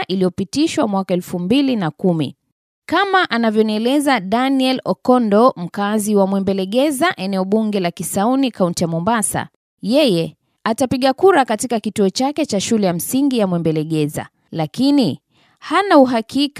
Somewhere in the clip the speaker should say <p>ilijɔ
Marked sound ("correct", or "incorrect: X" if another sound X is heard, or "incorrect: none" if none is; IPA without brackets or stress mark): incorrect: ʔ